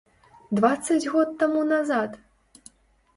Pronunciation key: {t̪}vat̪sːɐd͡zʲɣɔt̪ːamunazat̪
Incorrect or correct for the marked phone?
incorrect: d̪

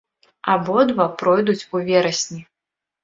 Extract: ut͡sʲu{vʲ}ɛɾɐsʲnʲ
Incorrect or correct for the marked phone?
correct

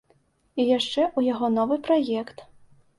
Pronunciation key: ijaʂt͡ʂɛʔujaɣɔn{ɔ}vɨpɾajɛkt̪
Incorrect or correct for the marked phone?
correct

